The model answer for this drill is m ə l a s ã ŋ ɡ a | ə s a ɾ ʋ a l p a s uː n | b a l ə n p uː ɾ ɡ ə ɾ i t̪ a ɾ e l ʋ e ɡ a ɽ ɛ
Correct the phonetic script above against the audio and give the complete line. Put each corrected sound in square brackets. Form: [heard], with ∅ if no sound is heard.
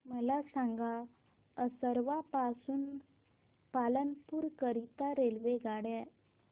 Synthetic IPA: m ə l a s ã ŋ ɡ a | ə s [ə] ɾ ʋ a [∅] p a s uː n | [p] a l ə n p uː ɾ [k] ə ɾ i t̪ a ɾ e l ʋ e ɡ a ɽ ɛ

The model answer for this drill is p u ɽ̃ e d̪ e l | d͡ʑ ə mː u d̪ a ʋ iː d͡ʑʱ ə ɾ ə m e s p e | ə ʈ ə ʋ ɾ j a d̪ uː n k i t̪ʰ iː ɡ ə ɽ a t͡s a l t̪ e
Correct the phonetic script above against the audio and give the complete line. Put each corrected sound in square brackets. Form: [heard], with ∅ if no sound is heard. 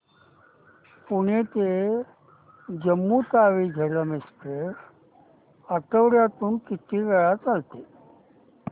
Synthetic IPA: p u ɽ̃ e [t̪] e [∅] | d͡ʑ ə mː u [t̪] a ʋ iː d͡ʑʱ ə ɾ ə m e s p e | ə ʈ ə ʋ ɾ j a [t̪] uː n k i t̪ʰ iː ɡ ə [ɭ] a t͡s a l t̪ e

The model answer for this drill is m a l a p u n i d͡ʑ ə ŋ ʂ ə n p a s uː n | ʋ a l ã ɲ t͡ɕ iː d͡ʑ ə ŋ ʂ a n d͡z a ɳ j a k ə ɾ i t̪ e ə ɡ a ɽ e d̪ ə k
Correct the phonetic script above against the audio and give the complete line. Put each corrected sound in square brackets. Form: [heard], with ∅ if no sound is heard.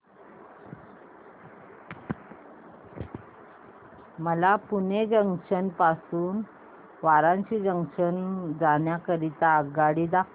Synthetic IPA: m [ə] l a p u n [e] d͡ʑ ə ŋ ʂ ə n p a s uː n | ʋ a [ɾ] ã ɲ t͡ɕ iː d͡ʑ ə ŋ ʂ [ə] n d͡z a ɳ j a k ə ɾ i t̪ [a] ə ɡ a ɽ [i] d̪ [a] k

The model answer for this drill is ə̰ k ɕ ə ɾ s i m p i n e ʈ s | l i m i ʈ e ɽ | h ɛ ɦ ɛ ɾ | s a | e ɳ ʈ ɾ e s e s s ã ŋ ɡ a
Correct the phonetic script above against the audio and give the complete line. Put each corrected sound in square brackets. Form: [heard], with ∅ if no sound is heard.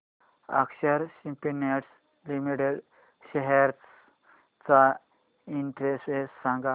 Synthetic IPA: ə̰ k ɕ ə ɾ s i m p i n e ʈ s | l i m i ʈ e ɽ | [ɕ] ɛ ɦ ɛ ɾ | [t͡s] a | [i] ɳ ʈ ɾ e s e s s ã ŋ ɡ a

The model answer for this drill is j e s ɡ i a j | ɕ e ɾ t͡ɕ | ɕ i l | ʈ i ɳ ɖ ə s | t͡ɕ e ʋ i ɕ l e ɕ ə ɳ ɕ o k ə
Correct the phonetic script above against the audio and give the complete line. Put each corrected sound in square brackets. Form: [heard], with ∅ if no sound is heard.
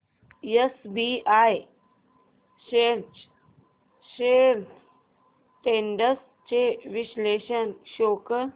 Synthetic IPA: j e s [b] i a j | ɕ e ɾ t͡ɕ | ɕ [e] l | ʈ [e] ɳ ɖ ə s | t͡ɕ e ʋ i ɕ l e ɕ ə [n] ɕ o k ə

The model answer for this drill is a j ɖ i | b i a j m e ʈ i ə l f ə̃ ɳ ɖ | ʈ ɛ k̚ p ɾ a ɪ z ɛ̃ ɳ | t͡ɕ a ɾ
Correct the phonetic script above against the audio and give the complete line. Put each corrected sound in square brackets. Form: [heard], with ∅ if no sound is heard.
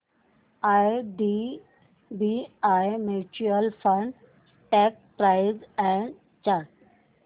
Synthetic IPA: a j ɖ i | b i a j m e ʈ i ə l f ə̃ ɳ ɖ | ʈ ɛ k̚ p ɾ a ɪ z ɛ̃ ɳ | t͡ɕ a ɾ

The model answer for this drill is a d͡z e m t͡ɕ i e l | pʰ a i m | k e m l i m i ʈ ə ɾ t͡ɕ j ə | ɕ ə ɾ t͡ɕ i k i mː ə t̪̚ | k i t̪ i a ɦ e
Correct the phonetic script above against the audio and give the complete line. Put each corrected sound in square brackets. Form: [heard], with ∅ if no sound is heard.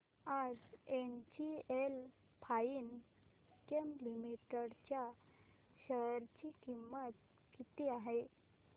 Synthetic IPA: a d͡z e [n] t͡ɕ i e l | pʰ a i [n] | k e m l i m i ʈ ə [ɽ] t͡ɕ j [a] | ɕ ə ɾ t͡ɕ i k i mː ə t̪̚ | k i t̪ i a ɦ e

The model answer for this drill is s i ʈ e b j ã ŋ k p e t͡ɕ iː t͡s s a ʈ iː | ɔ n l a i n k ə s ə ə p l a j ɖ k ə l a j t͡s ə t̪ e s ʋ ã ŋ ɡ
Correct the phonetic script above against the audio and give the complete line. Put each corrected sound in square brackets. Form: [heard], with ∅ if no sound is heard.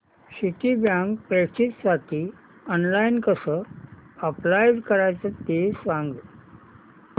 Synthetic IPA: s i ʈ [i] b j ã ŋ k p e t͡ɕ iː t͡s s a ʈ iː | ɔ n l a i n k ə s ə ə p l a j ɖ k ə [ɾ] a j t͡s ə t̪ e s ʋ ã ŋ ɡ

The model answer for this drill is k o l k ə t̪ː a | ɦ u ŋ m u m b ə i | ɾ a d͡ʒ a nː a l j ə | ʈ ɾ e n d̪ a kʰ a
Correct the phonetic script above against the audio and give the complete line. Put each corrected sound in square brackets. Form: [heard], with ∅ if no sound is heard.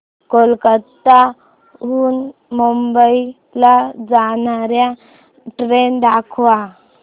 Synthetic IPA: k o l k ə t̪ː a | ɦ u [n] m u m b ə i | [l] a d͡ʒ a [n] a [ɾ] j [a] | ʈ ɾ e n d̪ a kʰ a

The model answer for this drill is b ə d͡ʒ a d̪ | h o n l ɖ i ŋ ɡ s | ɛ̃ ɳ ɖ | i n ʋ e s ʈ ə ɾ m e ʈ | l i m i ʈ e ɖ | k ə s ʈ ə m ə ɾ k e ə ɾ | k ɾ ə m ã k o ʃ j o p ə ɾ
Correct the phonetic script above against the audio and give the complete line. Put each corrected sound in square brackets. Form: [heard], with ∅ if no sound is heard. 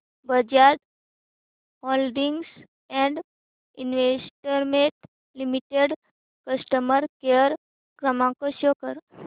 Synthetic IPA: b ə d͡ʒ a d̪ | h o [∅] l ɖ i ŋ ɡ s | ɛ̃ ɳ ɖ | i n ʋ e s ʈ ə ɾ m e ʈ | l i m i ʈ e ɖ | k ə s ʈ ə m ə ɾ k e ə ɾ | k ɾ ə m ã k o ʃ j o [k] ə ɾ

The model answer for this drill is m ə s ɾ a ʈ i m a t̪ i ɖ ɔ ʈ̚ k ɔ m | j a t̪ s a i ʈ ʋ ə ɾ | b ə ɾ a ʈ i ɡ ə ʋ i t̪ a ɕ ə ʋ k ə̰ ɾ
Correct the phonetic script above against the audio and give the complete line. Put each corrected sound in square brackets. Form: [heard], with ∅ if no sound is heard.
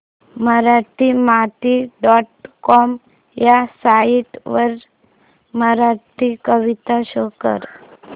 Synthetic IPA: m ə [∅] ɾ a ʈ i m a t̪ i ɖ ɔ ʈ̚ k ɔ m | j a [∅] s a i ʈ ʋ ə ɾ | [m] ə ɾ a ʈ i [k] ə ʋ i t̪ a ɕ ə [∅] k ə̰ ɾ

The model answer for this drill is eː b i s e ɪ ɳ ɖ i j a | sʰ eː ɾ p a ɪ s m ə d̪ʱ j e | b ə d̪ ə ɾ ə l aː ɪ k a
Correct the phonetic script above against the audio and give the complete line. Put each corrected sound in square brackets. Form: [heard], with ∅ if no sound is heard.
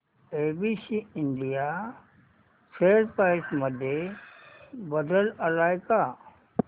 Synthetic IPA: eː b i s [i] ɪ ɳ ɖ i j a | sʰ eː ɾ p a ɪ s m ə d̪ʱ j e | b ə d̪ ə [l] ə l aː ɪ k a

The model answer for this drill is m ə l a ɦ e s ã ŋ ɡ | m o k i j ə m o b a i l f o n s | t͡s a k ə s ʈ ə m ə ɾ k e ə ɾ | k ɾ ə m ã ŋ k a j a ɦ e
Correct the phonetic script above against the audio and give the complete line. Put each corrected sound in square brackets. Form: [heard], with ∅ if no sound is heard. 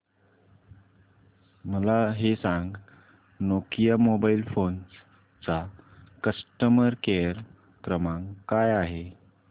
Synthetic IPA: m ə l a ɦ e s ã ŋ ɡ | [n] o k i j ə m o b a i l f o n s | t͡s a k ə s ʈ ə m ə ɾ k e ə ɾ | k ɾ ə m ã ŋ k a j a ɦ e

